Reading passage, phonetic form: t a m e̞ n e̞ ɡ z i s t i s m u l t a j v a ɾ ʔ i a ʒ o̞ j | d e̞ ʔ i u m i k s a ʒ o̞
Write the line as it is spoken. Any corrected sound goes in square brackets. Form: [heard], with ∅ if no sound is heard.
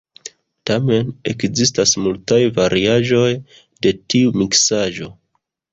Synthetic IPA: t a m e̞ n e̞ [k] z i s t [a] s m u l t a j v a ɾ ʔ i a ʒ o̞ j | d e̞ [t] i u m i k s a ʒ o̞

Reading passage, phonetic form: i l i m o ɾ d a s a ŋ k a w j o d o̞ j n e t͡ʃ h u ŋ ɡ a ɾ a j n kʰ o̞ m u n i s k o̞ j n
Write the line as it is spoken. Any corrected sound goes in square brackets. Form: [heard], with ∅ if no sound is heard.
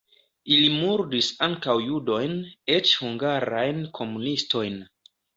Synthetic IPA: i l i m [u] ɾ d [i] s a ŋ k a w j [u] d o̞ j n e t͡ʃ h u ŋ ɡ a ɾ a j n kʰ o̞ m u n i s [t] o̞ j n

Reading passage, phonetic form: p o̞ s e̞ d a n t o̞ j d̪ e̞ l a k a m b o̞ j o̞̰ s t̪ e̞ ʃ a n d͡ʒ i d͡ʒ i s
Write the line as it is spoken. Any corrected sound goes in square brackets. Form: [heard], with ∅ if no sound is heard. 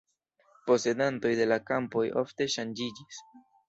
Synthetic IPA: p o̞ s e̞ d a n t o̞ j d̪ e̞ l a k a m [p] o̞ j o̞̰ [f] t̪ e̞ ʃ a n d͡ʒ i d͡ʒ i s

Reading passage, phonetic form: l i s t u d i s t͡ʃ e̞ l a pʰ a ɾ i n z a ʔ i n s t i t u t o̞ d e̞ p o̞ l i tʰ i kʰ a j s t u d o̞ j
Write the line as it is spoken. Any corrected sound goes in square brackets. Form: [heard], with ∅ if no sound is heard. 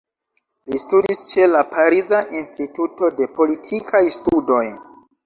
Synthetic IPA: l i s t u d i s t͡ʃ e̞ l a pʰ a ɾ i [∅] z a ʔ i n s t i t u t o̞ d e̞ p o̞ l i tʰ i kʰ a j s t u d o̞ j

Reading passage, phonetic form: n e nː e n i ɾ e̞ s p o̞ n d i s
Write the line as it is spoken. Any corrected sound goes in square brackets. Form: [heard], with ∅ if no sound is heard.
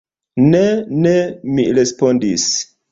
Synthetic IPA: n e [n] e [m] i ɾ e̞ s p o̞ n d i s

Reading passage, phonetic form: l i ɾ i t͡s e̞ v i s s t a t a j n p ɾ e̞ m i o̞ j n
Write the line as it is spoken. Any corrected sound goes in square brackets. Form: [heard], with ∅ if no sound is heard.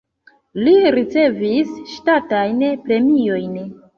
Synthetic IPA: l i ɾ i t͡s e̞ v i s [ʃ] t a t a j n p ɾ e̞ m i o̞ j n

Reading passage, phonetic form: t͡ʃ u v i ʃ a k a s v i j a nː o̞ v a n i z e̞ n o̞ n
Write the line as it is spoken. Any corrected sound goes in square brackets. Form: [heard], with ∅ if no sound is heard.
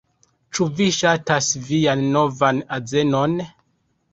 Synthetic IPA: t͡ʃ u v i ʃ a [t] a s v i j a nː o̞ v a n [a] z e̞ n o̞ n

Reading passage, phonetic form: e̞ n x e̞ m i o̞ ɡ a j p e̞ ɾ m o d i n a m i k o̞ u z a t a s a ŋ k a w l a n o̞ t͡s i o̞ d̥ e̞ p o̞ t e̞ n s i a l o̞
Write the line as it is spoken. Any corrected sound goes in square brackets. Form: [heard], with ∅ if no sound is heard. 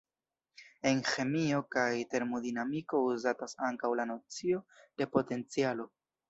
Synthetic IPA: e̞ n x e̞ m i o̞ [k] a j [t] e̞ ɾ m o d i n a m i k o̞ u z a t a s a ŋ k a w l a n o̞ t͡s i o̞ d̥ e̞ p o̞ t e̞ n [t͡s] i a l o̞

